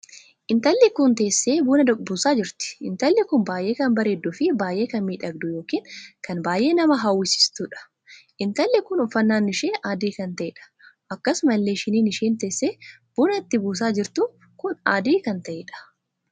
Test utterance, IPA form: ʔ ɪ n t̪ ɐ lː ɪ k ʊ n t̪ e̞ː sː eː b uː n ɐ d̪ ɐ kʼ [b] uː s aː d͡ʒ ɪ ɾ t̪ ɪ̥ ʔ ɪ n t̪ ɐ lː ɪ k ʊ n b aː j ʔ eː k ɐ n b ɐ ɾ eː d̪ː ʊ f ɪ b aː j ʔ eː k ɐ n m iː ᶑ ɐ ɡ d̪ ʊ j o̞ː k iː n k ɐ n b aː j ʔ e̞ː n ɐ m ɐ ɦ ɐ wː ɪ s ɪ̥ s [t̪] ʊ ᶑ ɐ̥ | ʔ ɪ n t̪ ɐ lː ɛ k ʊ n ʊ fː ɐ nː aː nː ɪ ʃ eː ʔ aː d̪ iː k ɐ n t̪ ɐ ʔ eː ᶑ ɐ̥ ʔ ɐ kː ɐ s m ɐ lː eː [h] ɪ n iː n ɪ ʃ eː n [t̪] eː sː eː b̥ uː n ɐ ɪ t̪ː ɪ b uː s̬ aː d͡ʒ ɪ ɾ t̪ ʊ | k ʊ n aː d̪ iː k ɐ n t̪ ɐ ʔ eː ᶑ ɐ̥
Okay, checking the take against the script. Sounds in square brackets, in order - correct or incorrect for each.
correct, correct, incorrect: ʃ, correct

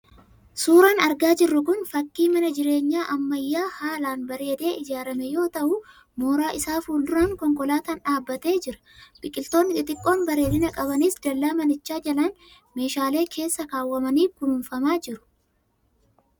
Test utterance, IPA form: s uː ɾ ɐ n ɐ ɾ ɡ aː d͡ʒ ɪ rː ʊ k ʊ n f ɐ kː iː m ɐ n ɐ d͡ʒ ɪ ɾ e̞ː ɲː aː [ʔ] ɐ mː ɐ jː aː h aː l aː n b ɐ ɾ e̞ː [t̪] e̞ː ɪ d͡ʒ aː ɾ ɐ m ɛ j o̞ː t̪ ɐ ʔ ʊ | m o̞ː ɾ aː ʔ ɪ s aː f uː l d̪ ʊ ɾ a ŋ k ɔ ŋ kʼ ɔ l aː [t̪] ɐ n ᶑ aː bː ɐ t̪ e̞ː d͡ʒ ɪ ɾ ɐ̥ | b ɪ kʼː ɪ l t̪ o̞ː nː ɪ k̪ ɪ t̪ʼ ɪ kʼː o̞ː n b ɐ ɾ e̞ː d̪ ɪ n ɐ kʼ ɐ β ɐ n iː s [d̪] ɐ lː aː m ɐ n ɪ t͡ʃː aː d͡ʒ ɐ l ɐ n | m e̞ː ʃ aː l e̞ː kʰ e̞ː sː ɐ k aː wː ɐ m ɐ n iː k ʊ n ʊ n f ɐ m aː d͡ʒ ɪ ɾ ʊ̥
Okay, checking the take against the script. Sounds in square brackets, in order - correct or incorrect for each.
correct, incorrect: d̪, correct, correct

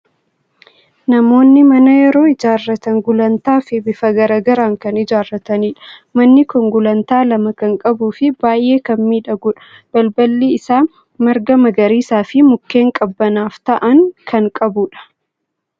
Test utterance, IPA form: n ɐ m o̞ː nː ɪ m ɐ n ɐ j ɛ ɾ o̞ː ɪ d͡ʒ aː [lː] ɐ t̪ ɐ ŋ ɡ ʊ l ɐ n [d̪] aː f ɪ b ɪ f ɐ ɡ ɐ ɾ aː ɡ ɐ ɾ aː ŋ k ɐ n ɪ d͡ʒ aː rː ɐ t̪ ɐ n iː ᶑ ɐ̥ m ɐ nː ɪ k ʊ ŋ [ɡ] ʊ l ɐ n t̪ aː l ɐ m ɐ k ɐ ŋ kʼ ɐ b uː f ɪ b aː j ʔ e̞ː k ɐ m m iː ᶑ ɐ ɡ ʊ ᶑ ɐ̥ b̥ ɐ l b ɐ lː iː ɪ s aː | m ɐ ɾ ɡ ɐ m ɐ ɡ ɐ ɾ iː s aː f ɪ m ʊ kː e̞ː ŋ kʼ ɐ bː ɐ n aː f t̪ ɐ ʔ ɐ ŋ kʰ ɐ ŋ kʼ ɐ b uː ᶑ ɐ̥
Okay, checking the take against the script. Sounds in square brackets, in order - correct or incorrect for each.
incorrect: rː, incorrect: t̪, correct

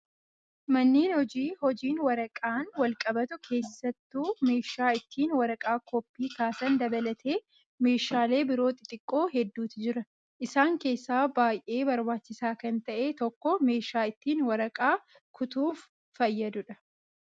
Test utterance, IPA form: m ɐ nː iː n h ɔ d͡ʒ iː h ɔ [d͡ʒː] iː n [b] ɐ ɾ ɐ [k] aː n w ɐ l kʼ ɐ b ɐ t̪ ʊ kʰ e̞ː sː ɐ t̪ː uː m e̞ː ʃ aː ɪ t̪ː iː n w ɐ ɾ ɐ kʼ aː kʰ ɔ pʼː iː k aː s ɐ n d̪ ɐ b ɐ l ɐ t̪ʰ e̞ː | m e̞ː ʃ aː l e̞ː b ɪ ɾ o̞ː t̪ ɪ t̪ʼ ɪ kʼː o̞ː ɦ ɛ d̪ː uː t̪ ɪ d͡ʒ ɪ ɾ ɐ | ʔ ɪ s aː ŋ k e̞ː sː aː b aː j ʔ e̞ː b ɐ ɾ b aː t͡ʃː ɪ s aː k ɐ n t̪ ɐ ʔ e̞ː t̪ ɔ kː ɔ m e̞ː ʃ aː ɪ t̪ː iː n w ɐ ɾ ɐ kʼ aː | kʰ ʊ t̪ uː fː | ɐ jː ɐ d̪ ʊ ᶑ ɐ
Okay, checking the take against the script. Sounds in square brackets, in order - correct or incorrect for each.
incorrect: d͡ʒ, incorrect: w, incorrect: kʼ

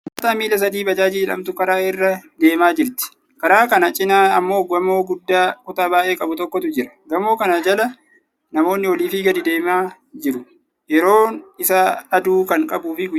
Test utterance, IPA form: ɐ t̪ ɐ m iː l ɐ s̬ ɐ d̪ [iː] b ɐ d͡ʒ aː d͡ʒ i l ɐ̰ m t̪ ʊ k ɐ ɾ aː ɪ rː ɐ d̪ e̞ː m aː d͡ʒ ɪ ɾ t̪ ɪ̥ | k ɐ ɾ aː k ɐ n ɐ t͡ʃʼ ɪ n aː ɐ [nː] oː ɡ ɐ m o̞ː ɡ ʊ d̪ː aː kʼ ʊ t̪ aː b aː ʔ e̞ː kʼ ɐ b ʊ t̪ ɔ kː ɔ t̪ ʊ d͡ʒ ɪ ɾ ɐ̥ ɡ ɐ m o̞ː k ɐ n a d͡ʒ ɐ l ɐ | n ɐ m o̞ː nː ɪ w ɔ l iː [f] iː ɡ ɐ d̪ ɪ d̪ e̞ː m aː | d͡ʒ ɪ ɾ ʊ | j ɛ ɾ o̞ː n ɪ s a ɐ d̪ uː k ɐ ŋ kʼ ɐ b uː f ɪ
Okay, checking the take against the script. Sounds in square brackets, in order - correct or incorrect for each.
correct, incorrect: mː, correct

